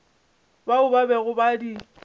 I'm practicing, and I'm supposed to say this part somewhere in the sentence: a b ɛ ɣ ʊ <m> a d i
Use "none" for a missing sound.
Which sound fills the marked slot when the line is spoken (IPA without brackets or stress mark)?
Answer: b